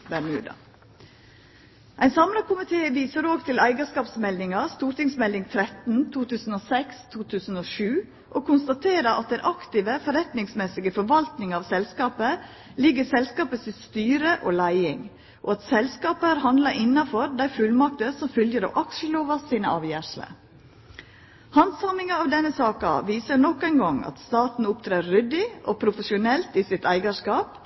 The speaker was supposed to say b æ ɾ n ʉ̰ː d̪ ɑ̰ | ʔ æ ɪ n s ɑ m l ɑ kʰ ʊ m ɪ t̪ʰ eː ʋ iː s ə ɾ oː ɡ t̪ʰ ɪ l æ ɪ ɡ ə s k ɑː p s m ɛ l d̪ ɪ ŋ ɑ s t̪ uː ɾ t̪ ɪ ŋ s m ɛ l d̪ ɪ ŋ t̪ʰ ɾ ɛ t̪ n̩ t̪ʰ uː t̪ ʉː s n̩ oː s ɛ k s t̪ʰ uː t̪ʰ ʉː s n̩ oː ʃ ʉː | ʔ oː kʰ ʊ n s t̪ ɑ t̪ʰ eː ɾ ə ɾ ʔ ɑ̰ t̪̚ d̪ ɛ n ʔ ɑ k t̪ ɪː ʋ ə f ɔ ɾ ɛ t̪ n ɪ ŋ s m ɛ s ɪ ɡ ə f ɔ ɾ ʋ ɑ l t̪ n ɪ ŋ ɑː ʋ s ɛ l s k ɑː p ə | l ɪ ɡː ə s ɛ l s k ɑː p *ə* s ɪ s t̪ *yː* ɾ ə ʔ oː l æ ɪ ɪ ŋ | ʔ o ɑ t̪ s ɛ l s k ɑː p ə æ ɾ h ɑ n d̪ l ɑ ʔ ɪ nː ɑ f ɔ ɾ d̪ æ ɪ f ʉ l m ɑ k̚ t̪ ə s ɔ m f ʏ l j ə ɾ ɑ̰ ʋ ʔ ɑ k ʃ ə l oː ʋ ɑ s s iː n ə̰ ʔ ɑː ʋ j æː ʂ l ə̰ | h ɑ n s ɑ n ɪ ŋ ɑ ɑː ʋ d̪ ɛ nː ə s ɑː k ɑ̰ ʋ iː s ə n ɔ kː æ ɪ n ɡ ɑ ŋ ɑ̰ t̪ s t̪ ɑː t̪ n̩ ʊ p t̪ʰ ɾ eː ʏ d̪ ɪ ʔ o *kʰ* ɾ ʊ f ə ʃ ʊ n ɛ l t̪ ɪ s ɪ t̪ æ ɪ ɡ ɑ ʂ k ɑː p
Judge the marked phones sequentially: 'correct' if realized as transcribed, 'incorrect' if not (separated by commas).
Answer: correct, correct, incorrect